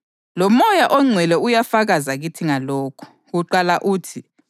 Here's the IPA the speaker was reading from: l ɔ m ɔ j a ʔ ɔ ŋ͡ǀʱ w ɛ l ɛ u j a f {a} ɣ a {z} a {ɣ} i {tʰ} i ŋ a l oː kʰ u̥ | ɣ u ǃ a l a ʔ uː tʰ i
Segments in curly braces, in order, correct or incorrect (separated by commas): correct, correct, correct, correct